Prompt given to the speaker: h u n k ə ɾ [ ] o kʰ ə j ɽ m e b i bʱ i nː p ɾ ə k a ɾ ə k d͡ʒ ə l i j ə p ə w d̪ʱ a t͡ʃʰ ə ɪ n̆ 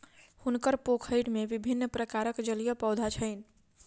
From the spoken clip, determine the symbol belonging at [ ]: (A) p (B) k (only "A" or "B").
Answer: A